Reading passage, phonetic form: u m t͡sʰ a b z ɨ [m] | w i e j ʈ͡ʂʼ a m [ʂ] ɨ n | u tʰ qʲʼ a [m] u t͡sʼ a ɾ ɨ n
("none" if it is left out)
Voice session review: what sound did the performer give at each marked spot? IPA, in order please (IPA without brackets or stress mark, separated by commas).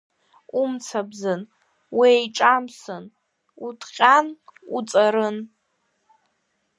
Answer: n, s, n